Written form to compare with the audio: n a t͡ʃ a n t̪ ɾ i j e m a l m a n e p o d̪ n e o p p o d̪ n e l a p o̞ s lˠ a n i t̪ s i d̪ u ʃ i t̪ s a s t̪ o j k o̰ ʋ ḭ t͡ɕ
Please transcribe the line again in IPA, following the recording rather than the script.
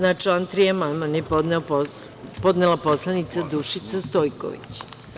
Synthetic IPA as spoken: n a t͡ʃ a n t̪ ɾ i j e m a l m a n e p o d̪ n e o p p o d̪ n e l a p o̞ s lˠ a n i t̪ s a d̪ u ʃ i t̪ s a s t̪ o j k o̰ ʋ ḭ t͡ɕ

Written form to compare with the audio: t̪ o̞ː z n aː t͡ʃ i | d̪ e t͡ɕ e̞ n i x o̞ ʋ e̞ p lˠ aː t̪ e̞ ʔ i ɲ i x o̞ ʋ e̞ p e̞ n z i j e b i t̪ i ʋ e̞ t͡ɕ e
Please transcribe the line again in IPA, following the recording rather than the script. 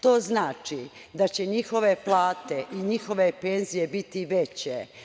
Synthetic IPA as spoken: t̪ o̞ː z n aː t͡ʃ i | d̪ a t͡ɕ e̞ ɲ i x o̞ ʋ e̞ p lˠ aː t̪ e̞ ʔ i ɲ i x o̞ ʋ e̞ p e̞ n z i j e b i t̪ i ʋ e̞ t͡ɕ e

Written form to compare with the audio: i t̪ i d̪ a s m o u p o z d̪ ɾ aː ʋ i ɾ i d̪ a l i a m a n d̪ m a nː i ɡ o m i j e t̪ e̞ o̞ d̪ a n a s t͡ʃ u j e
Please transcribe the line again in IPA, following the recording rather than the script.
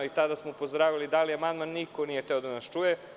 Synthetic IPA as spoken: i t̪ a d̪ a s m o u p o z d̪ ɾ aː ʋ i l i d̪ a l i a m a n d̪ m a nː i k o n i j e t̪ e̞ o̞ d̪ a n a s t͡ʃ u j e

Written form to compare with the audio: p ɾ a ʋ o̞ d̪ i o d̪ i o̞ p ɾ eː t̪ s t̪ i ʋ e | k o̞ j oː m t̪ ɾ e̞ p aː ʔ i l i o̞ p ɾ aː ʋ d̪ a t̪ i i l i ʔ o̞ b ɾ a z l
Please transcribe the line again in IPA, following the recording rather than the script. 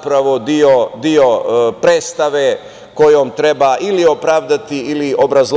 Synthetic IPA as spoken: p ɾ a ʋ o̞ d̪ i o d̪ i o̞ p ɾ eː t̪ s t̪ a ʋ e | k o̞ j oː m t̪ ɾ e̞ b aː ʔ i l i o̞ p ɾ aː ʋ d̪ a t̪ i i l i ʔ o̞ b ɾ a z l

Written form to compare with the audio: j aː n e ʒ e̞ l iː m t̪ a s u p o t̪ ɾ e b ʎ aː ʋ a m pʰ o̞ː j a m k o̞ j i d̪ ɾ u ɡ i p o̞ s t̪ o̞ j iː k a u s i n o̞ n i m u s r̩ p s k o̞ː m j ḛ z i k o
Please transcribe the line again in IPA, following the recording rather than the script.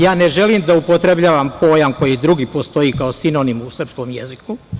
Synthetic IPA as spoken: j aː n e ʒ e̞ l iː m d̪ a u p o t̪ ɾ e b ʎ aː ʋ a m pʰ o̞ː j a m k o̞ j i d̪ ɾ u ɡ i p o̞ s t̪ o̞ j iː k a o s i n o̞ n i m u s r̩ p s k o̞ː m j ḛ z i k u

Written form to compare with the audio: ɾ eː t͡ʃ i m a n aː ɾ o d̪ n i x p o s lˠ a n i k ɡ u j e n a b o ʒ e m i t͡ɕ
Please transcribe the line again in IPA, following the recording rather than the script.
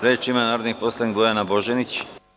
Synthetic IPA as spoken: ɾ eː t͡ʃ i m a n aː ɾ o d̪ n i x p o s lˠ a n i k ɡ o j a n a b o ʒ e n i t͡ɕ

